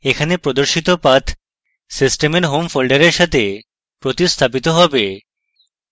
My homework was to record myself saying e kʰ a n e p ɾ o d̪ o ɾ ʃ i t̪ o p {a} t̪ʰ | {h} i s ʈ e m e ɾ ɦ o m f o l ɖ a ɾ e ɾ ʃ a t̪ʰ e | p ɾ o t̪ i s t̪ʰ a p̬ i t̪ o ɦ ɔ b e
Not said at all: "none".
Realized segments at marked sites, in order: a, s

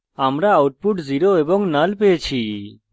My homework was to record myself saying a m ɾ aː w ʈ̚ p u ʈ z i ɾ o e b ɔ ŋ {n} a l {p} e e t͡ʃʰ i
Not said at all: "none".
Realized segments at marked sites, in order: n, p

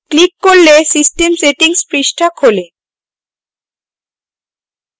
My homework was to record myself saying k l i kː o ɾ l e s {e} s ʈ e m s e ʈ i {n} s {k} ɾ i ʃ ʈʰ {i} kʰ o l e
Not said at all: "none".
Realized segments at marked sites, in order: i, ŋ, p, a

